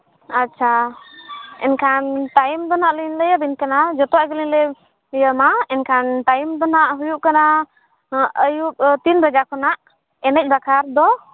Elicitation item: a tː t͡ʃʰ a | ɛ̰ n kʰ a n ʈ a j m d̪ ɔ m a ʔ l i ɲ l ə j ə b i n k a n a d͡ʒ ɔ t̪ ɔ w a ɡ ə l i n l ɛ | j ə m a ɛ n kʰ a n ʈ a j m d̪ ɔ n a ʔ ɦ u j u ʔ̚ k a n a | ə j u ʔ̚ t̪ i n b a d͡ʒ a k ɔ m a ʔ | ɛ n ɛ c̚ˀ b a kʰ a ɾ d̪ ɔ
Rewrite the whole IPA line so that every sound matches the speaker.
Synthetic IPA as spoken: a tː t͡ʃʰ a | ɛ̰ n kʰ a n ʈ a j m d̪ ɔ n a ʔ l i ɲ l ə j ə b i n k a n a d͡ʒ ɔ t̪ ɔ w a ɡ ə l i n l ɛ | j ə m a ɛ n kʰ a n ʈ a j m d̪ ɔ n a ʔ ɦ u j u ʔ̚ k a n a | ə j u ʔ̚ t̪ i n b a d͡ʒ a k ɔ n a ʔ | ɛ n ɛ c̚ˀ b a kʰ a ɾ d̪ ɔ